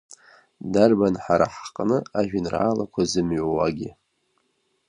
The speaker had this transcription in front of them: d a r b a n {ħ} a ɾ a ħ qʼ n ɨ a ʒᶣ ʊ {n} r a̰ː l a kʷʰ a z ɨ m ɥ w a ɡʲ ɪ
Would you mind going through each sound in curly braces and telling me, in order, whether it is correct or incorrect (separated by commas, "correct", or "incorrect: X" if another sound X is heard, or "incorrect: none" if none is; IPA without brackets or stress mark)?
correct, correct